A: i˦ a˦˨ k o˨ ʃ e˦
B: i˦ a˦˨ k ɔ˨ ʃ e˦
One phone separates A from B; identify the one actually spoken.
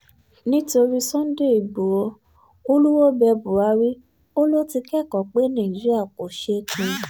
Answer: A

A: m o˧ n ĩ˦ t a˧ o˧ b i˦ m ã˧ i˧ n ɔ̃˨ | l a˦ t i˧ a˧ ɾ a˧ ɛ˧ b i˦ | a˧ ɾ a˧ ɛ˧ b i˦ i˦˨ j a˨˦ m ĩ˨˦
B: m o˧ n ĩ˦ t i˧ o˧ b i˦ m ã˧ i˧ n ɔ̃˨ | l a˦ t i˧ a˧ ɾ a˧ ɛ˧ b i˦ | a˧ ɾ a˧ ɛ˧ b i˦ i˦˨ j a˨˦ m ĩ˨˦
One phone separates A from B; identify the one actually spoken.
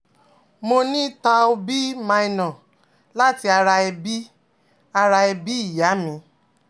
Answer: A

